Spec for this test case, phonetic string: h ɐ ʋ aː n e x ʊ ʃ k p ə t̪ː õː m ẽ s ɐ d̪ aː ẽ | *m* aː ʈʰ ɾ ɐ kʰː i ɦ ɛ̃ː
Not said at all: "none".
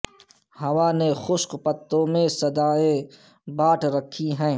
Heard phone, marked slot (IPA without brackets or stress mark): b